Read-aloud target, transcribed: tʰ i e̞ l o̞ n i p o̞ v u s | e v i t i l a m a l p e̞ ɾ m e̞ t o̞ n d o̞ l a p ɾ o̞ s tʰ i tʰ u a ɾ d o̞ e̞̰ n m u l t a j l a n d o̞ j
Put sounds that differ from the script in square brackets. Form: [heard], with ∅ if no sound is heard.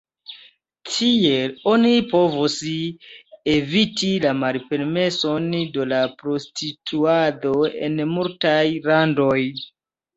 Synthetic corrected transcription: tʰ i e̞ l o̞ n i p o̞ v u s | e v i t i l a m a l p e̞ ɾ m e̞ [s] o̞ n d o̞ l a p ɾ o̞ s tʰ i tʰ u a [∅] d o̞ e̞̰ n m u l t a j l a n d o̞ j